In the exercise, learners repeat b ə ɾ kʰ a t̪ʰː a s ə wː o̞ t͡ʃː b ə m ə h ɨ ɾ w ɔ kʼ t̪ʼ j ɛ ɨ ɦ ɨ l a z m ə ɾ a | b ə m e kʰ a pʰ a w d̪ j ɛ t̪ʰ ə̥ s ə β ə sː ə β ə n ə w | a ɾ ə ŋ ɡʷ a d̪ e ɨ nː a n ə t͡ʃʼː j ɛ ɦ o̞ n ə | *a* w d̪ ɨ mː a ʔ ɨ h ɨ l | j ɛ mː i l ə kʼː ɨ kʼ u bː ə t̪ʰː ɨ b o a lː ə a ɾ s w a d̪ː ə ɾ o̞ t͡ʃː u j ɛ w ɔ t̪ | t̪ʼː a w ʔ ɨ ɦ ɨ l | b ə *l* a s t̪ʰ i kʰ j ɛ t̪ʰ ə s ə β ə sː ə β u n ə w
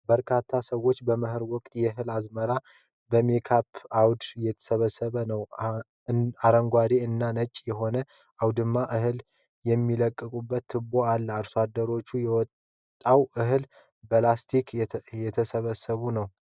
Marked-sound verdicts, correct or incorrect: correct, correct

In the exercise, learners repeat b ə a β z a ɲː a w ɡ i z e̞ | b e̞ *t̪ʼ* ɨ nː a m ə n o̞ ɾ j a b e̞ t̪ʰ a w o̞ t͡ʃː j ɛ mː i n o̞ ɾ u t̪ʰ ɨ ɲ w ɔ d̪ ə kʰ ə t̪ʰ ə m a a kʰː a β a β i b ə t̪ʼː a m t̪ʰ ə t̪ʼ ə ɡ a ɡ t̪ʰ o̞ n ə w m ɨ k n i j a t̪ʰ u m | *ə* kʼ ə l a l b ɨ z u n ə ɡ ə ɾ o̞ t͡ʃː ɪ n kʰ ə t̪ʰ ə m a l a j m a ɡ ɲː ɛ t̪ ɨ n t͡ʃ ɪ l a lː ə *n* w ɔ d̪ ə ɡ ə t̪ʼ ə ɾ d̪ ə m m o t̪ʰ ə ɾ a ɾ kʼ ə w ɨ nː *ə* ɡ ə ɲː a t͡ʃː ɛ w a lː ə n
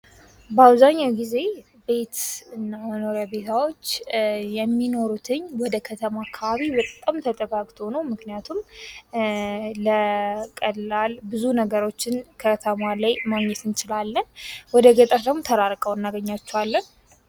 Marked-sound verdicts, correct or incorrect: incorrect: t̪, correct, correct, incorrect: a

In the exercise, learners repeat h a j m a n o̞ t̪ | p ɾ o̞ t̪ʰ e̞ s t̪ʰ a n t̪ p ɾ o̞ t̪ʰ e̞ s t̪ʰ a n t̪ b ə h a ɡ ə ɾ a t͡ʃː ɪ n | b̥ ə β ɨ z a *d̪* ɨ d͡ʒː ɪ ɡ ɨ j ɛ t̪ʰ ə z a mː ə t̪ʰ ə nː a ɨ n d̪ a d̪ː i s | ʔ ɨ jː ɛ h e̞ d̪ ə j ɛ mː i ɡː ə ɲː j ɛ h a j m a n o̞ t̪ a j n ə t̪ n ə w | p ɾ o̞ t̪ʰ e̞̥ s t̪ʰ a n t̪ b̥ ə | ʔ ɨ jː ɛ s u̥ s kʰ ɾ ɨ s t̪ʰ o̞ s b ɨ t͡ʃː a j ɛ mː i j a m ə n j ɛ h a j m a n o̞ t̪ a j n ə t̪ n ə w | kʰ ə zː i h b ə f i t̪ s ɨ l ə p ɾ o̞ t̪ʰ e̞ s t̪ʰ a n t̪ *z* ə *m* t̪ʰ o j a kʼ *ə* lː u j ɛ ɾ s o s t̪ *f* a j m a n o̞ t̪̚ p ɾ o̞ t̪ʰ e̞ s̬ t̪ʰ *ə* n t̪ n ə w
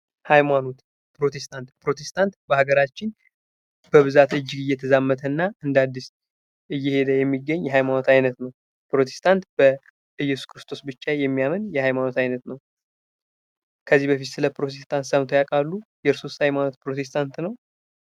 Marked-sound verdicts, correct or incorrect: incorrect: t̪, incorrect: s, correct, incorrect: a, incorrect: h, incorrect: a

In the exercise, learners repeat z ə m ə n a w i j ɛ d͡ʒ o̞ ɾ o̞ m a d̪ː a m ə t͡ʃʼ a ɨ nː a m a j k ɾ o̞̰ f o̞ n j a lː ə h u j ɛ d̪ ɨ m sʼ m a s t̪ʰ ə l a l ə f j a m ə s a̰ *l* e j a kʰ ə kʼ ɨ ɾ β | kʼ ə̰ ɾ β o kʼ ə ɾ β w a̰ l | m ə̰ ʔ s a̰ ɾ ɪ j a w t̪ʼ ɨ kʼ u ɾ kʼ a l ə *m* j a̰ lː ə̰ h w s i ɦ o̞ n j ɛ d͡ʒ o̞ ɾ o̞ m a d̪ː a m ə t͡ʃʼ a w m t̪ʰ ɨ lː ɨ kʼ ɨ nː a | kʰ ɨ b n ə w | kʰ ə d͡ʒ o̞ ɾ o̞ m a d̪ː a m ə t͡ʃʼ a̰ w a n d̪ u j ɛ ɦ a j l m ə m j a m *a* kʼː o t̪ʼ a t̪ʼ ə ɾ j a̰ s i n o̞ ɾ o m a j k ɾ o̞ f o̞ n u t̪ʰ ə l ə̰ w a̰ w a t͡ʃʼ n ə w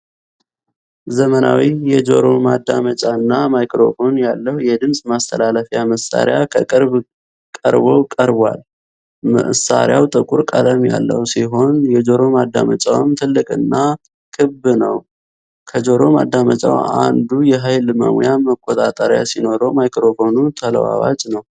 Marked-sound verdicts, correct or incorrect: incorrect: ɾ, correct, incorrect: ə

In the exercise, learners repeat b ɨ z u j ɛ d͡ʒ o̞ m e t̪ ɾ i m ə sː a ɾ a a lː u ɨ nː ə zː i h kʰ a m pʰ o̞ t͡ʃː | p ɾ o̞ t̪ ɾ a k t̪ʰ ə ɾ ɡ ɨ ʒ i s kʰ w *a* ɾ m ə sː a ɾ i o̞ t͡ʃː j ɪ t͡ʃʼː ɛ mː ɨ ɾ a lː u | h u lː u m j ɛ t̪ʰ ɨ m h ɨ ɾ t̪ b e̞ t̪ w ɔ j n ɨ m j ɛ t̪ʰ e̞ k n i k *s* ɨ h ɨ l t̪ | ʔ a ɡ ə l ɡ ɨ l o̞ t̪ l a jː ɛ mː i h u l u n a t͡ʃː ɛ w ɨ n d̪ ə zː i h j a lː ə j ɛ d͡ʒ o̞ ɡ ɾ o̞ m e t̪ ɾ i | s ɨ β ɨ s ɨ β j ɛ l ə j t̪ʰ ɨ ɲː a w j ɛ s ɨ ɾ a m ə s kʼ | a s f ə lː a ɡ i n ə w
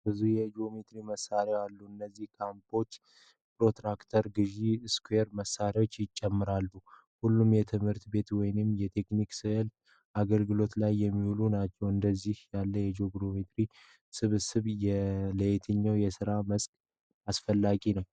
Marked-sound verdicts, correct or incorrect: incorrect: e, correct

